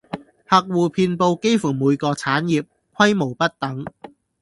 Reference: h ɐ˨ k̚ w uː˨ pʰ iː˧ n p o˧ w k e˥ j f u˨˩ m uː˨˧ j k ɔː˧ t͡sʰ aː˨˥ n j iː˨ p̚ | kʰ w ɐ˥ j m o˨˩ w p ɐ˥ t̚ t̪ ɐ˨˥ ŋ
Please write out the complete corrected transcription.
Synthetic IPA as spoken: h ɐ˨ k̚ w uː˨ pʰ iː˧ n p o˧ w k e˥ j f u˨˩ m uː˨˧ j k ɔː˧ t͡sʰ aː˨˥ n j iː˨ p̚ | kʰ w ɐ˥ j m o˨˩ w p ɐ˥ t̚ t̪ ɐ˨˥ ŋ